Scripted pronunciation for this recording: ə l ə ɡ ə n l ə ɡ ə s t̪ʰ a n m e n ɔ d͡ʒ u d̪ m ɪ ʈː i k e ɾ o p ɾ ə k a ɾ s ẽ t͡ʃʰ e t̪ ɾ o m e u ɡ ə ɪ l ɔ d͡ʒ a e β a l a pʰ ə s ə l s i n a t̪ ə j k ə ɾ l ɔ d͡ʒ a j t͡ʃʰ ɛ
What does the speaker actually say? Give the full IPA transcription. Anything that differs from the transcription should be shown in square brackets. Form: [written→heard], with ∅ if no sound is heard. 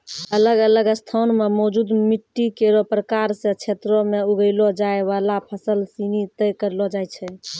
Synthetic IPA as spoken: ə l ə ɡ ə [n→∅] l ə ɡ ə s t̪ʰ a n m e [n→m] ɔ d͡ʒ u d̪ m [ɪ→i] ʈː i k e ɾ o p ɾ ə k a ɾ s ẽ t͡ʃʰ e t̪ ɾ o m e u ɡ ə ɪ l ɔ d͡ʒ a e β a l a pʰ ə s ə l s i n [a→i] t̪ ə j k ə ɾ l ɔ d͡ʒ a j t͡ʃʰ ɛ